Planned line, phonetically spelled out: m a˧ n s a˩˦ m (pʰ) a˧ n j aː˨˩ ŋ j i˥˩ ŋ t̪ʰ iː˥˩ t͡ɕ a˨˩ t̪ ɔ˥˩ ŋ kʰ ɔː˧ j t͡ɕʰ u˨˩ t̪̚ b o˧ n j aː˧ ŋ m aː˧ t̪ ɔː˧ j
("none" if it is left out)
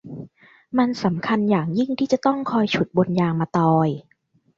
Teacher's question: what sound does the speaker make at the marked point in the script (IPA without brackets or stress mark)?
kʰ